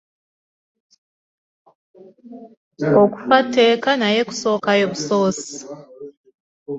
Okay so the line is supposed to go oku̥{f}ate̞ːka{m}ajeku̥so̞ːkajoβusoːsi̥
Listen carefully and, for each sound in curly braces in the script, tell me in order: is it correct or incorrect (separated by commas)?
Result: correct, incorrect